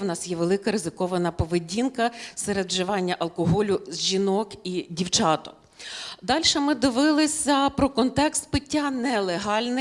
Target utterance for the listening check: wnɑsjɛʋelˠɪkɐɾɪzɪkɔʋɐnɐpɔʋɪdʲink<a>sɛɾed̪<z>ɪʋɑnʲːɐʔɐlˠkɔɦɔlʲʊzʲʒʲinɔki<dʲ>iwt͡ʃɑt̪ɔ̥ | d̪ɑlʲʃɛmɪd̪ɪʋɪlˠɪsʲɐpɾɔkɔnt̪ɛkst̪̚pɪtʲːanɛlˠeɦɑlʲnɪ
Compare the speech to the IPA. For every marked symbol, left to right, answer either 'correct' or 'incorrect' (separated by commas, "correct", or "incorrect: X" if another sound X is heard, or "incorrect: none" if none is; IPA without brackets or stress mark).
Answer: incorrect: ɐ, incorrect: ʒ, correct